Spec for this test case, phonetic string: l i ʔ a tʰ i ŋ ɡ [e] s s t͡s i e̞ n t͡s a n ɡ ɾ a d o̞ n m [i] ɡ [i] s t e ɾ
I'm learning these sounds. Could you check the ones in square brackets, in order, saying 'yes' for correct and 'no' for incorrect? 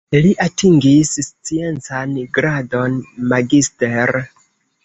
no, no, yes

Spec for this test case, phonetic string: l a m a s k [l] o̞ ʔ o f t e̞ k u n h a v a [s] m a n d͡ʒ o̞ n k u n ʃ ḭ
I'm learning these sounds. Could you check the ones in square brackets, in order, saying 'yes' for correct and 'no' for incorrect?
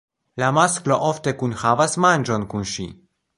yes, yes

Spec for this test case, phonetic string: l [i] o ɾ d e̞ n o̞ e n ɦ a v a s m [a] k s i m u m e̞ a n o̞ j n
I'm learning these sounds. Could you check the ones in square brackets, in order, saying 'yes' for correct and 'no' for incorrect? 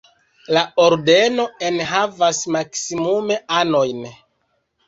no, yes

